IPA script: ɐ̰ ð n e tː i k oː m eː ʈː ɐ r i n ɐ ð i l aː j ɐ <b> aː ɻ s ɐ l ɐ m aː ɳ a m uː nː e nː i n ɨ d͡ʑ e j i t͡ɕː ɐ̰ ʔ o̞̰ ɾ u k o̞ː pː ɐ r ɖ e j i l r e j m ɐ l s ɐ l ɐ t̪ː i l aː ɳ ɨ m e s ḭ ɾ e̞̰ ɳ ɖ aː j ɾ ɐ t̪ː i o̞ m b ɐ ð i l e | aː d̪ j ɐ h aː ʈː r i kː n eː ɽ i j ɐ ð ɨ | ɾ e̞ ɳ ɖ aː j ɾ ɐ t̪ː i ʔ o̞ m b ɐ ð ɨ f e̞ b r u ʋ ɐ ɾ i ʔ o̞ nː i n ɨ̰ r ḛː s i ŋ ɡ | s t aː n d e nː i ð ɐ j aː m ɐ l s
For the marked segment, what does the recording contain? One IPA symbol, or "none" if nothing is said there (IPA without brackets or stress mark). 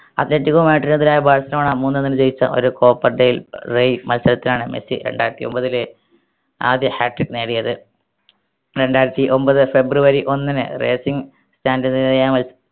b